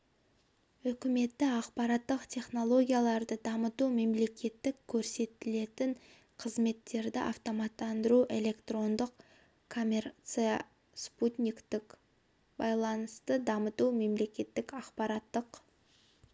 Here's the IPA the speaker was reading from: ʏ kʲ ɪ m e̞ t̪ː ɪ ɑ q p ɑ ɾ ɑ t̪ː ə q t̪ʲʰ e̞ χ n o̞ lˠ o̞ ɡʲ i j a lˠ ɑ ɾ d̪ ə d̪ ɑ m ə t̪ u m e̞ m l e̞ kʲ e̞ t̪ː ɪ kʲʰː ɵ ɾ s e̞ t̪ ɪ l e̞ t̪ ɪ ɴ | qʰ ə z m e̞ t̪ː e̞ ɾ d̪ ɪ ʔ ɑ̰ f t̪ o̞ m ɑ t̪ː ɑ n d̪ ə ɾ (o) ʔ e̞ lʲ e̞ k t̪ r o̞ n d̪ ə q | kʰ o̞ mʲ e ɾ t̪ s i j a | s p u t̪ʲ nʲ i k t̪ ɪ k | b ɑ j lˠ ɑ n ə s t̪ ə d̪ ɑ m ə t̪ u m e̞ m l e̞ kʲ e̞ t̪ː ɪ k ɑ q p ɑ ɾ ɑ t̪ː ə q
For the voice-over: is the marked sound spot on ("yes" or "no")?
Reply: no